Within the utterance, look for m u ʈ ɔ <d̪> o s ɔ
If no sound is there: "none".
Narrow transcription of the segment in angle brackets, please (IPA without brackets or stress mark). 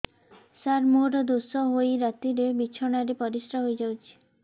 d̪